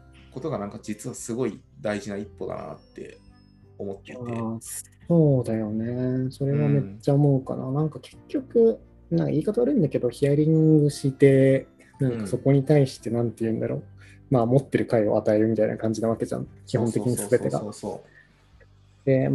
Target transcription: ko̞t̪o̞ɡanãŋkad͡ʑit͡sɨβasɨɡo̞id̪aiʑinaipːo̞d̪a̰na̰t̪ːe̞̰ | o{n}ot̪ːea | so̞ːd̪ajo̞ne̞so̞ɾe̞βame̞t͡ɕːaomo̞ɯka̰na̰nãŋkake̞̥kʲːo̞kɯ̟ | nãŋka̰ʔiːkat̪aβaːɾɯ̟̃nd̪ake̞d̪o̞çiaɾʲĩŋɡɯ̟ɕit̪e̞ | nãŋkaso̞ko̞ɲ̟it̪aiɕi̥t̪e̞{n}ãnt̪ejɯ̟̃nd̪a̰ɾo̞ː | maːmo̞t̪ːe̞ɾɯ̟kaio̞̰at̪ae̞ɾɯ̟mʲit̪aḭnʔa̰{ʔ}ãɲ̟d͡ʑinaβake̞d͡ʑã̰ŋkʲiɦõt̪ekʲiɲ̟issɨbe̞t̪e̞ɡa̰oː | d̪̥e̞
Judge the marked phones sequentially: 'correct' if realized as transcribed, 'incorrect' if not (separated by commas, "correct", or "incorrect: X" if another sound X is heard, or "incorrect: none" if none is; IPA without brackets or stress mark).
incorrect: m, correct, incorrect: k